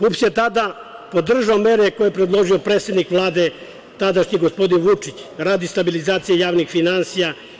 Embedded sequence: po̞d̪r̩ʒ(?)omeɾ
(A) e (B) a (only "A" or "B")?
B